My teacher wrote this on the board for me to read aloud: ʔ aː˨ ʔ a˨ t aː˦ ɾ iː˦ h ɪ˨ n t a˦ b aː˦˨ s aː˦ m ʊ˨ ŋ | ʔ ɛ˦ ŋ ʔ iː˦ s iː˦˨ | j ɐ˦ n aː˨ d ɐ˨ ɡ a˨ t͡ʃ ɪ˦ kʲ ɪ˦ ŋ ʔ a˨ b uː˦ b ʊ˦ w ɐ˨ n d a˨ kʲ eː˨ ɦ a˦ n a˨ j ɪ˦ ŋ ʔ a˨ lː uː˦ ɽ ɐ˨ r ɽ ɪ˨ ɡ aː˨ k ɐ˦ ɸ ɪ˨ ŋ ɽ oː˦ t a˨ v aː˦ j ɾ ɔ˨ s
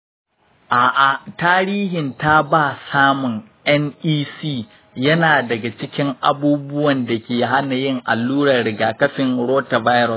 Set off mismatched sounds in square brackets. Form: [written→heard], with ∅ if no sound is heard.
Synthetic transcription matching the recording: ʔ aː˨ ʔ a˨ t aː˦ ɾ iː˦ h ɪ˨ n t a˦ b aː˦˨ s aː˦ m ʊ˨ ŋ | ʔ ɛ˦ [ŋ→n] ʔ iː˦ s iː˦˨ | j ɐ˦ n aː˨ d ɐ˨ ɡ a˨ t͡ʃ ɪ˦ kʲ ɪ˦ ŋ ʔ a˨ b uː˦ b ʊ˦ w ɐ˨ n d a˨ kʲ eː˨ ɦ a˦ n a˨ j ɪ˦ ŋ ʔ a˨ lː uː˦ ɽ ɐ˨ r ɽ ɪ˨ ɡ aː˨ k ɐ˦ ɸ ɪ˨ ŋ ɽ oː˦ t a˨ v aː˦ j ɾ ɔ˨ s